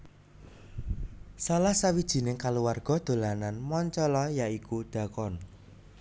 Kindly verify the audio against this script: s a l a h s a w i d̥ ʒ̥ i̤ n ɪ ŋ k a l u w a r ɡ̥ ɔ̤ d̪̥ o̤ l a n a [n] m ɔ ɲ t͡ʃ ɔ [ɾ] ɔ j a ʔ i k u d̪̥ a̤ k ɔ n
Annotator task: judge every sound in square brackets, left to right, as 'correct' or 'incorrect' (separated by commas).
correct, incorrect